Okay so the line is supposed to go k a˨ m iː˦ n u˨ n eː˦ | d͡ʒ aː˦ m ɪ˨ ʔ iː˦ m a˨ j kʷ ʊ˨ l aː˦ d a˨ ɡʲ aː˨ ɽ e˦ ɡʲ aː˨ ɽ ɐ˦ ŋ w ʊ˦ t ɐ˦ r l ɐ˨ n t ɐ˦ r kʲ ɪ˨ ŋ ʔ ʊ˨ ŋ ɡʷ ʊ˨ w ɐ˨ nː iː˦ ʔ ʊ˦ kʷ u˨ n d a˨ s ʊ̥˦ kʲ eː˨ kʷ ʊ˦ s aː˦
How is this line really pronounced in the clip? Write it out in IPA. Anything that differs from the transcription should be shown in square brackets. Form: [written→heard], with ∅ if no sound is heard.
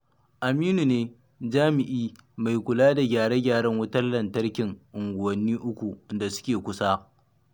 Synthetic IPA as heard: [k→ʔ] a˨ m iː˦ n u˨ n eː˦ | d͡ʒ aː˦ m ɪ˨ ʔ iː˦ m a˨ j kʷ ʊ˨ l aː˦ d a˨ ɡʲ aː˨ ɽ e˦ ɡʲ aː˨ ɽ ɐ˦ ŋ w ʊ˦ t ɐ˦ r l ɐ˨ n t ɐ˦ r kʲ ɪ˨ ŋ ʔ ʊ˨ ŋ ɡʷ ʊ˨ w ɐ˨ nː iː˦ ʔ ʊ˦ kʷ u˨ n d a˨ s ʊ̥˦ kʲ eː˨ kʷ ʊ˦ s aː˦